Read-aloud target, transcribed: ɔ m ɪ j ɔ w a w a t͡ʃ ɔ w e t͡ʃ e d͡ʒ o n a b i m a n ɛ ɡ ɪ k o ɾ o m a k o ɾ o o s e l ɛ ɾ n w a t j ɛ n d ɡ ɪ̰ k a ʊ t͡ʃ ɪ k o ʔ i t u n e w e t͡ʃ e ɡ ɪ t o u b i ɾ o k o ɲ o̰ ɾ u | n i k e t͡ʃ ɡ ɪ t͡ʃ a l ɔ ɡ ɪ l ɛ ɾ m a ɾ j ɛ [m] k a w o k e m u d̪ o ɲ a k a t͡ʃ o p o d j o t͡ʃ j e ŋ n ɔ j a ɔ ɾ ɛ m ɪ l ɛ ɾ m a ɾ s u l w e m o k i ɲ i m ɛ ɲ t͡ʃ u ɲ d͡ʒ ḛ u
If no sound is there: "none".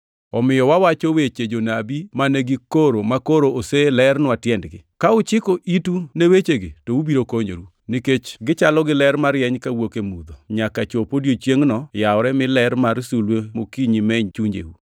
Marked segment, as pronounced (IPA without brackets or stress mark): ɲ